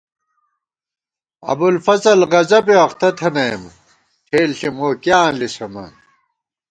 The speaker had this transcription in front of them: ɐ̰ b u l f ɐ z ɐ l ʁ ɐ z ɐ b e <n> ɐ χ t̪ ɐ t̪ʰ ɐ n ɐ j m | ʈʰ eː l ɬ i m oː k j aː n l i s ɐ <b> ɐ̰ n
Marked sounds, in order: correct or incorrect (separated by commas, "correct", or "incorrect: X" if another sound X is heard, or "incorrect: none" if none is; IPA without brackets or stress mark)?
incorrect: none, incorrect: m